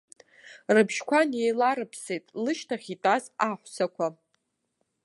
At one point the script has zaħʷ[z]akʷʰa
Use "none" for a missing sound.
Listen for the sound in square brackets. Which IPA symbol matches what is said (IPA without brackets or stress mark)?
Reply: s